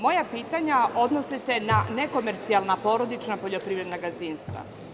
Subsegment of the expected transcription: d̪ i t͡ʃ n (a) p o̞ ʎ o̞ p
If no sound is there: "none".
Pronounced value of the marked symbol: a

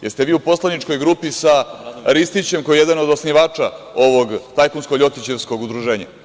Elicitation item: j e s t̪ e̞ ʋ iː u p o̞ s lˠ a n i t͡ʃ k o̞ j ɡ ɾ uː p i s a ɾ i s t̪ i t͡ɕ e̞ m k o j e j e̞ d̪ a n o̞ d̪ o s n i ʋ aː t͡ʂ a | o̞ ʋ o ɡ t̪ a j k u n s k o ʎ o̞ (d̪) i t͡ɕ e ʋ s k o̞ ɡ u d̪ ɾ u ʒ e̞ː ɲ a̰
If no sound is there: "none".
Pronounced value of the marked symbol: t̪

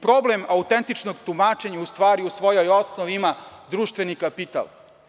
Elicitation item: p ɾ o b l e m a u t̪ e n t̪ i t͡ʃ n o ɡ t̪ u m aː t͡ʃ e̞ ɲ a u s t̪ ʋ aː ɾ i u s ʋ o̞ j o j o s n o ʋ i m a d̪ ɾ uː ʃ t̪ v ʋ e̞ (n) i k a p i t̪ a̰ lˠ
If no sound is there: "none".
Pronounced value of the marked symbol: n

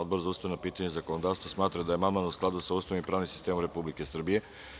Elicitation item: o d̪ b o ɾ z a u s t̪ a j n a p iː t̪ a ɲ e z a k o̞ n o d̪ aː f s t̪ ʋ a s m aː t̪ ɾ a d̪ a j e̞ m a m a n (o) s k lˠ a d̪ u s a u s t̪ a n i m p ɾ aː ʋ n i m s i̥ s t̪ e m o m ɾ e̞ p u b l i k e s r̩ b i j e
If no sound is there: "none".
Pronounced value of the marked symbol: u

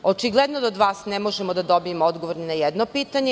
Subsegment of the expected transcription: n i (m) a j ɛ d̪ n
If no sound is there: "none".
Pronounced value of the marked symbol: n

